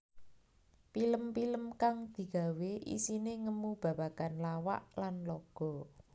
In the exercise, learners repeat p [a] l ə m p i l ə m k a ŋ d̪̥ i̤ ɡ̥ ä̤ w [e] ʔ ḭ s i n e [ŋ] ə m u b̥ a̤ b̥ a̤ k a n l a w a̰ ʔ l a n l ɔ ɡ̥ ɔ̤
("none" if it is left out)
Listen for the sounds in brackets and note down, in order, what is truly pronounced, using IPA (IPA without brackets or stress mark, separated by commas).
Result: i, e, ŋ